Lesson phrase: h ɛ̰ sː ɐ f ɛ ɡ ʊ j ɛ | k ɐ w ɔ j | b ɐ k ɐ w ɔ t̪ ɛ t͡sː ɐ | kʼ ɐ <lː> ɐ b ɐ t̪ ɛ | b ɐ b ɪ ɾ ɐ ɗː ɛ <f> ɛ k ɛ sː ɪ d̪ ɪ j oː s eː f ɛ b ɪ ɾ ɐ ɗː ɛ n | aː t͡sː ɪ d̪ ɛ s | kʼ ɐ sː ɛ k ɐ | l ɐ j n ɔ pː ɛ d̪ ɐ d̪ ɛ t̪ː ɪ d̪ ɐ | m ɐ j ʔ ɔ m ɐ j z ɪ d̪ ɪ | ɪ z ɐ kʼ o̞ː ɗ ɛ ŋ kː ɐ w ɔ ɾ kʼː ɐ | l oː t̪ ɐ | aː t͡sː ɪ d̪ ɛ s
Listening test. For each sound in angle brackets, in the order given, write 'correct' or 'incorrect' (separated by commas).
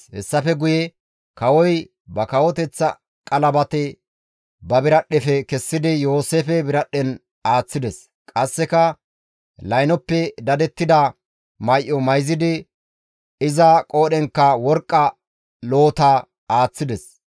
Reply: incorrect, correct